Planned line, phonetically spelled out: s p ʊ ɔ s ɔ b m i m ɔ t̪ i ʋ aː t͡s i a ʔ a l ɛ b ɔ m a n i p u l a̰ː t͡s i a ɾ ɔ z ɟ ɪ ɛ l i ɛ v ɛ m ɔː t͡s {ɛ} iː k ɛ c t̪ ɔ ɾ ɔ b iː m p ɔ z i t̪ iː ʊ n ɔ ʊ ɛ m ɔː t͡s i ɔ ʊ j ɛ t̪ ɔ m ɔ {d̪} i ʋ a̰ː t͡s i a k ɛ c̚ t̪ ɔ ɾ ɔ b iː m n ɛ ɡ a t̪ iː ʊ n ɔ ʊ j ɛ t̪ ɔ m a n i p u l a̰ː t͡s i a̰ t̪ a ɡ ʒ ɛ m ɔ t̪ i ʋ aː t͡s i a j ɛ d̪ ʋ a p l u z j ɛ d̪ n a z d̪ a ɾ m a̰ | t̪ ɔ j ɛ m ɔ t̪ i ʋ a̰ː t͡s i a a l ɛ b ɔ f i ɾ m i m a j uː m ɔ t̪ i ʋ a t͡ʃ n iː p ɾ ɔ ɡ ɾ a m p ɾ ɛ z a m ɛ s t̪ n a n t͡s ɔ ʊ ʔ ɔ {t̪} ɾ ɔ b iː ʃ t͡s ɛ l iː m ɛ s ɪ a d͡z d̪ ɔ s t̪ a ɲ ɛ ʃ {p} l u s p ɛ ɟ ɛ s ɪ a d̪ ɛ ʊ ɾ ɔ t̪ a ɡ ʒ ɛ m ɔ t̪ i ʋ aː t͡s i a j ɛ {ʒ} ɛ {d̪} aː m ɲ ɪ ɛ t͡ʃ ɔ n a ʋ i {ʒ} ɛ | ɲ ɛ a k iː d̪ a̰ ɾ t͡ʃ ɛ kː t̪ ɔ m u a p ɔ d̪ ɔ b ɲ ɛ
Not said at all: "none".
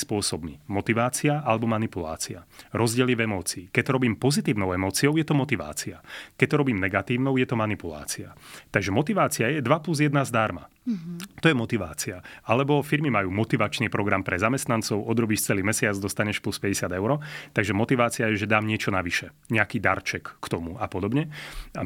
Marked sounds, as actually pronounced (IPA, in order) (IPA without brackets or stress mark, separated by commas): i, t̪, d̪, p, ʒ, d̪, ʃ